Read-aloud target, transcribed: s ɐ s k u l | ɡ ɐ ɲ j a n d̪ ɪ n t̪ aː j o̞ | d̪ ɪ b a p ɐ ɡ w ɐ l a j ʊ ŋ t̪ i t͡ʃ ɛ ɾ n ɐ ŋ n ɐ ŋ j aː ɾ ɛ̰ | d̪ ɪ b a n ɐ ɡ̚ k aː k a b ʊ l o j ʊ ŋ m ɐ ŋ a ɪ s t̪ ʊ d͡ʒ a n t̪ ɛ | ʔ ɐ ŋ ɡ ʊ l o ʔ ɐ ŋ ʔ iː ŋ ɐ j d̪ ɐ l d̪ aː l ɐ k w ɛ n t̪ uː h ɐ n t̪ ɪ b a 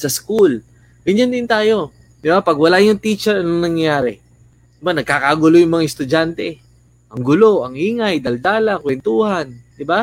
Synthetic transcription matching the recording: s ɐ s k u l | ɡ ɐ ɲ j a n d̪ ɪ n t̪ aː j o̞ | d̪ ɪ b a p ɐ ɡ w ɐ l a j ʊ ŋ t̪ i t͡ʃ ɛ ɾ n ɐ ŋ n ɐ ŋ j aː ɾ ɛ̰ | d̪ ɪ b a n ɐ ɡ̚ k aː k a ɡ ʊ l o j ʊ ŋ m ɐ ŋ a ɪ s t̪ ʊ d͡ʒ a n t̪ ɛ | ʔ ɐ ŋ ɡ ʊ l o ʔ ɐ ŋ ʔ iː ŋ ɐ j d̪ ɐ l d̪ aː l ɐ k w ɛ n t̪ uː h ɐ n d̪ ɪ b a